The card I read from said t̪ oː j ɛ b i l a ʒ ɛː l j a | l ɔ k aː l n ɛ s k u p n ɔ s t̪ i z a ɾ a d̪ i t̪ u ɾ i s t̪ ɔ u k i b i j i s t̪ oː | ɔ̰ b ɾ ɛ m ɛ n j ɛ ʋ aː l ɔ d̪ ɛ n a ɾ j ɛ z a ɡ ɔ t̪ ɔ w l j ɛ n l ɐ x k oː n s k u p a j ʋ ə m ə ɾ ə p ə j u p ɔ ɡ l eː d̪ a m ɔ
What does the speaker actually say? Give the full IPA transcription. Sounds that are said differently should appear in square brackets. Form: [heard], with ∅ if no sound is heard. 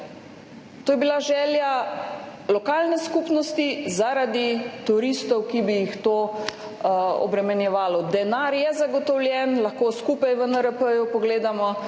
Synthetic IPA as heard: t̪ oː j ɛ b i l a ʒ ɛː l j a | l ɔ k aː l n ɛ s k u p n ɔ s t̪ i z a ɾ a d̪ i t̪ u ɾ i s t̪ ɔ [w] k i b i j i [x] t̪ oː | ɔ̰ b ɾ ɛ m ɛ n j ɛ ʋ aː l ɔ d̪ ɛ n a ɾ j ɛ z a ɡ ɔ t̪ ɔ w l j ɛ n l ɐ x k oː [∅] s k u p a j ʋ ə [n] ə ɾ ə p ə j u p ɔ ɡ l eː d̪ a m ɔ

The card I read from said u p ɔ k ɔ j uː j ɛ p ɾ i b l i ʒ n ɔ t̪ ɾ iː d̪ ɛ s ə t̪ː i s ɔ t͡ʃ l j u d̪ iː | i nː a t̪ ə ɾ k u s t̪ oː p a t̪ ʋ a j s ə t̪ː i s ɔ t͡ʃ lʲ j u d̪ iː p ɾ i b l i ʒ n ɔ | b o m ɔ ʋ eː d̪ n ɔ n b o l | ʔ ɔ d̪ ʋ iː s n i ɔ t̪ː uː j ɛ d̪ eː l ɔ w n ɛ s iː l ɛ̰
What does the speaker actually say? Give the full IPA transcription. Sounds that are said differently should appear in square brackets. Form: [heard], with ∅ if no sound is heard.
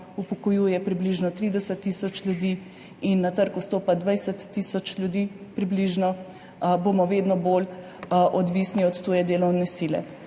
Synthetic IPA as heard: u p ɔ k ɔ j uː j ɛ p ɾ i b l i ʒ n ɔ t̪ ɾ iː d̪ ɛ s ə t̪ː i s ɔ t͡ʃ l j u d̪ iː | i nː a t̪ ə ɾ k u s t̪ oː p a [d̪] ʋ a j s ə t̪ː i s ɔ t͡ʃ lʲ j u d̪ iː p ɾ i b l i ʒ n ɔ | b o m ɔ ʋ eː d̪ n ɔ [∅] b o l | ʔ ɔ d̪ ʋ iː s n i ɔ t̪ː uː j ɛ d̪ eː l ɔ w n ɛ s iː l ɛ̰

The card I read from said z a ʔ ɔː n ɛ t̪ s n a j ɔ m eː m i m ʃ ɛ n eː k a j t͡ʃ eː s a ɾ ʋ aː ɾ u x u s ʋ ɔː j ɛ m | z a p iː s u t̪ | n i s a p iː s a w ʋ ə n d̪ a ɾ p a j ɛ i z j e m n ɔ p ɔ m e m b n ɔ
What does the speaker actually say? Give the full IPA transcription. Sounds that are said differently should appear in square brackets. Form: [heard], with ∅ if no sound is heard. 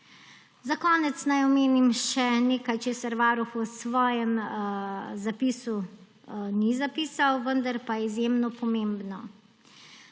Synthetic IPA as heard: z a [k] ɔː n ɛ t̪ s n a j ɔ m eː [n] i m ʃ ɛ n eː k a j t͡ʃ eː s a ɾ ʋ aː ɾ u x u s ʋ ɔː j ɛ m | z a p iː s u [∅] | n i [z] a p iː s a w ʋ ə n d̪ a ɾ p a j ɛ i z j e m n ɔ p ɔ m e m b n ɔ

